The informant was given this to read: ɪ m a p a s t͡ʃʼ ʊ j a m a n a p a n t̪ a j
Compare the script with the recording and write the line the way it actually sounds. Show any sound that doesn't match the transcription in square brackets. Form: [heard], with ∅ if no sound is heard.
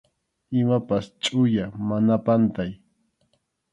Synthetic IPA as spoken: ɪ m a p a s t͡ʃʼ ʊ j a m a n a p a n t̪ a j